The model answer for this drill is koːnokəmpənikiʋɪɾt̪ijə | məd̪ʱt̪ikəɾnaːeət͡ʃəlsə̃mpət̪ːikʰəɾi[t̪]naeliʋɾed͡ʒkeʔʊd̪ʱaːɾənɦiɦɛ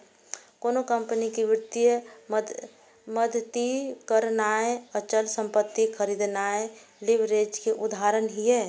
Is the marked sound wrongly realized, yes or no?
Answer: yes